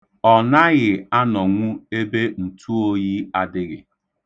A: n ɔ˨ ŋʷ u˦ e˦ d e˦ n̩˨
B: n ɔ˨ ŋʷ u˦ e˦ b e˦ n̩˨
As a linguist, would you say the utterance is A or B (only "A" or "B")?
B